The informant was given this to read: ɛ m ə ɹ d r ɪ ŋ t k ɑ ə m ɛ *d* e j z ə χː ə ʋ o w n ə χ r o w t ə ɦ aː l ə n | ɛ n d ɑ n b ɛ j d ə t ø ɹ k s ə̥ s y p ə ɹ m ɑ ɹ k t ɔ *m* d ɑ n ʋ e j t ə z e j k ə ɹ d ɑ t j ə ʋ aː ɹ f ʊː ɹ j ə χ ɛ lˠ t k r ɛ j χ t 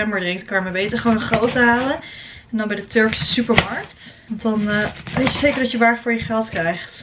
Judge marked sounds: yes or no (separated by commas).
no, no